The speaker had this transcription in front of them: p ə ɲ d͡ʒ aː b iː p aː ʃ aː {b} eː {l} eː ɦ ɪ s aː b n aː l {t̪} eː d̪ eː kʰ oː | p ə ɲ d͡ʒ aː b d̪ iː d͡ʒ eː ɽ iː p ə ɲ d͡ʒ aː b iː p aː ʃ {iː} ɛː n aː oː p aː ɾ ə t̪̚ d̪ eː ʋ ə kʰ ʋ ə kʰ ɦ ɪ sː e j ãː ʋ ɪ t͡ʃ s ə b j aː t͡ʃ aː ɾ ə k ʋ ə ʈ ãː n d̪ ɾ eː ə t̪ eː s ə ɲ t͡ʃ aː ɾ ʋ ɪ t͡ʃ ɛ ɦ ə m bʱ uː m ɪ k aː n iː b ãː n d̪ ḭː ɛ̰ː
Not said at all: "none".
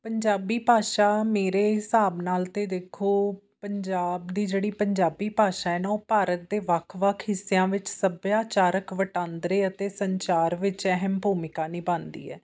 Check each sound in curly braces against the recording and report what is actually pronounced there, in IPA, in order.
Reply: m, ɾ, t̪, aː

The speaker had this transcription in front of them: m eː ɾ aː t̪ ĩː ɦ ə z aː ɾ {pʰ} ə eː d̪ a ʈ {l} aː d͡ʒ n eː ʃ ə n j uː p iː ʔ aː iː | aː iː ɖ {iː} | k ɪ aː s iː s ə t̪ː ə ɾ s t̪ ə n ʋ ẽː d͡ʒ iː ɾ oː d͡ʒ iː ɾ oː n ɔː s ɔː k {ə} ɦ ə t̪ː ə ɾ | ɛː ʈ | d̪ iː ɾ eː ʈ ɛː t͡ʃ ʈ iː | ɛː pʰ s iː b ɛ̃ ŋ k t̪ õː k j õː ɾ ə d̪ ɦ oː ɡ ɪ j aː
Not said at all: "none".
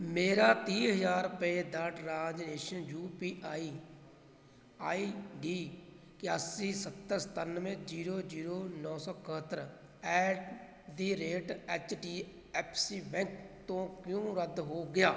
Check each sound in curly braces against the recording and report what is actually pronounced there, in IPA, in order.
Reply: p, ɾ, iː, ə

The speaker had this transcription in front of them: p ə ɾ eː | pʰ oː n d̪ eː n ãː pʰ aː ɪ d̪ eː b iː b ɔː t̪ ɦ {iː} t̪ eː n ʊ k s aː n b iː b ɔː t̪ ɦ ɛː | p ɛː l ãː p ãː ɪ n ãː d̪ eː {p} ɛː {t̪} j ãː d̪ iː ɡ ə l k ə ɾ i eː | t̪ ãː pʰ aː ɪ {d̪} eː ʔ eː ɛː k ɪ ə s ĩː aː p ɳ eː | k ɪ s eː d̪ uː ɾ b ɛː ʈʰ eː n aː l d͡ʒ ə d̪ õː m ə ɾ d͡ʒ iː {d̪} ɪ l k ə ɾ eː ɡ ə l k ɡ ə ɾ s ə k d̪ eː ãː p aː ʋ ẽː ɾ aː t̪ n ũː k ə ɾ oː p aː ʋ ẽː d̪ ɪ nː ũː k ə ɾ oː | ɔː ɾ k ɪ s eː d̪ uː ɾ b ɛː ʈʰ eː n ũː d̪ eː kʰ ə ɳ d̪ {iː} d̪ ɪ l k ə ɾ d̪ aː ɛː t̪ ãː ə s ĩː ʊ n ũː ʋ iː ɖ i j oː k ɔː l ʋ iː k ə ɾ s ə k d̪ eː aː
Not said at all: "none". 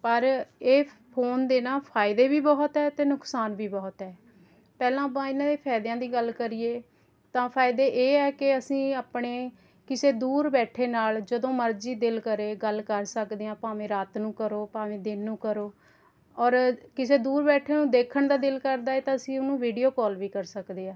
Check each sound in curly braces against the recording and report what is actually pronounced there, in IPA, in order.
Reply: ɛː, pʰ, d̪, d̪, d̪, aː

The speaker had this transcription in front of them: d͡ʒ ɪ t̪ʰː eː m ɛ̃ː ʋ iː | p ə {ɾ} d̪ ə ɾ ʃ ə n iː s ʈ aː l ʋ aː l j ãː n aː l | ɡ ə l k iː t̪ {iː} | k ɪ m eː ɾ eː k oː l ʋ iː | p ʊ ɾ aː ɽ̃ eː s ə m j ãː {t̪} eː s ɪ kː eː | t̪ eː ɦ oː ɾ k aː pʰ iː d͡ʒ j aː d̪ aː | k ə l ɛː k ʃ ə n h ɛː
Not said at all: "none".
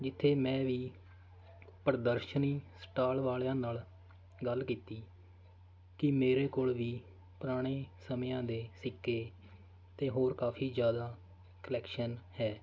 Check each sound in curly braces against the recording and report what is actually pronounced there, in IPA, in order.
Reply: ɾ, iː, d̪

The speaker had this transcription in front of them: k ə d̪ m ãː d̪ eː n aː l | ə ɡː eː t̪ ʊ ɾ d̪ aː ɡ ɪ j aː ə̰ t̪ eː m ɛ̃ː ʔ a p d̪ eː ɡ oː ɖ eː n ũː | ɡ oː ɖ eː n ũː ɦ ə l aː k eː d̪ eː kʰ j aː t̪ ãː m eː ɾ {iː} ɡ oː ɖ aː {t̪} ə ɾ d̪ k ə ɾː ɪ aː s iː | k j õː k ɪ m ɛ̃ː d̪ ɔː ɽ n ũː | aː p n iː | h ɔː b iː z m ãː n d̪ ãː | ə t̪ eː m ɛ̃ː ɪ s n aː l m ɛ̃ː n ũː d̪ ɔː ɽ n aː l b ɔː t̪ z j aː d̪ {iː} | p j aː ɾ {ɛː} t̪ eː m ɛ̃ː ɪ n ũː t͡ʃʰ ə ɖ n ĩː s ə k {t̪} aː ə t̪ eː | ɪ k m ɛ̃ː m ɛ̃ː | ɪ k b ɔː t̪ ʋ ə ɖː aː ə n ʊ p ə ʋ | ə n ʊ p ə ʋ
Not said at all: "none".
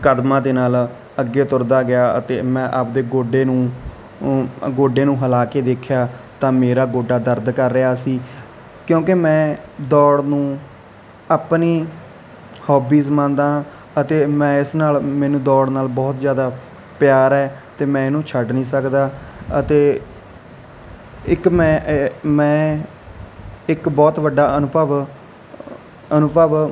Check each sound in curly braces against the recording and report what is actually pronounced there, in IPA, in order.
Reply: aː, d̪, aː, ɛː, d̪

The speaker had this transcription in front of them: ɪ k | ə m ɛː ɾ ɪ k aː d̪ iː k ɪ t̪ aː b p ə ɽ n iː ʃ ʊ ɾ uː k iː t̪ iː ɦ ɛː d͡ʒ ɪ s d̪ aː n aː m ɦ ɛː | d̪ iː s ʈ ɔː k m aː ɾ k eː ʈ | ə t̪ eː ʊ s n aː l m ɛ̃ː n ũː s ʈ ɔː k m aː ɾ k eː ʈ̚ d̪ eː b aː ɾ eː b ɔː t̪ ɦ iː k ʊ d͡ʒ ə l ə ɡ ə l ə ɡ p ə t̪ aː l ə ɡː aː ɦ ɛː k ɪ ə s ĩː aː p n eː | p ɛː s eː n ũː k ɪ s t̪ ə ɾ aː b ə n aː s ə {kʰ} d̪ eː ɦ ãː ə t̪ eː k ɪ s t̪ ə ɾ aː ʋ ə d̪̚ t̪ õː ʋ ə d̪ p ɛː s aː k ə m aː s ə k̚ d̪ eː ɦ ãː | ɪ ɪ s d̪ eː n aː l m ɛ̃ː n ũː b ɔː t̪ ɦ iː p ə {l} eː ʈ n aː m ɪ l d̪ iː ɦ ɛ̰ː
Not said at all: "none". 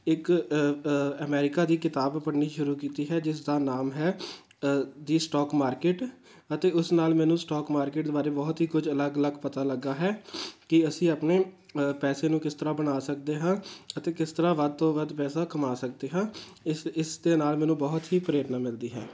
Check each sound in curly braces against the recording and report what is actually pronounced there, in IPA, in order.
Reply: k, ɾ

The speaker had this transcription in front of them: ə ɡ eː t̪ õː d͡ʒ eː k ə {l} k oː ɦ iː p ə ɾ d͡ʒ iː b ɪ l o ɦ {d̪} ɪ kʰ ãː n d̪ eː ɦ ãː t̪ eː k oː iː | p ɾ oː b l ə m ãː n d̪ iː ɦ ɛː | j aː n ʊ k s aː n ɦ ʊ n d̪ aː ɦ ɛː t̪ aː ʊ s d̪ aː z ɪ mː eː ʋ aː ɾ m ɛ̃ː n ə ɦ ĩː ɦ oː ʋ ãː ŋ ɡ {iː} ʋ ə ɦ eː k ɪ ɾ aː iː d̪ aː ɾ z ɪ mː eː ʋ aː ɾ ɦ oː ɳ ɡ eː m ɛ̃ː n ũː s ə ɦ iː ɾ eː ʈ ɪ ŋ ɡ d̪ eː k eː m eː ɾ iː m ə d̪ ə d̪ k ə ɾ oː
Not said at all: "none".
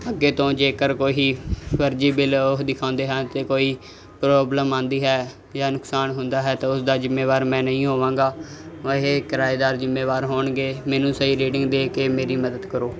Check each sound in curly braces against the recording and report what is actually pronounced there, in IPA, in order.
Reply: ɾ, d̪, aː

